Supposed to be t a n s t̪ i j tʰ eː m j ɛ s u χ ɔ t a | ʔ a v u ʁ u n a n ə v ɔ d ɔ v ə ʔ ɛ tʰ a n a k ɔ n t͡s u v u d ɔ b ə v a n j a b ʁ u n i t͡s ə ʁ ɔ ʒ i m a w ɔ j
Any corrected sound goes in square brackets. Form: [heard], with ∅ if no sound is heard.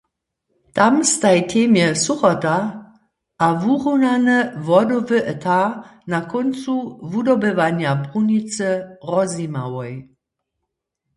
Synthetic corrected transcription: t a [m] s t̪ [a] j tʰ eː m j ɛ s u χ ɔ t a | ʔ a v u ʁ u n a n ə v ɔ d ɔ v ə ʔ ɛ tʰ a n a k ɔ n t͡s u v u d ɔ b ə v a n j a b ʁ u n i t͡s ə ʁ ɔ [z] i m a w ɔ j